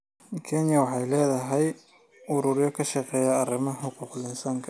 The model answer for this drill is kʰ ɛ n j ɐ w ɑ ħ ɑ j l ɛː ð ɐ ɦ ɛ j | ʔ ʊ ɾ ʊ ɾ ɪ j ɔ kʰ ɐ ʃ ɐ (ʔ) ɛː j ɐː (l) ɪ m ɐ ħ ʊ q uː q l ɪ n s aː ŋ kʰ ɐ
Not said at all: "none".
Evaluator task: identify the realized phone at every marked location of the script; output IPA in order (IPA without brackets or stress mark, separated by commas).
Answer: q, r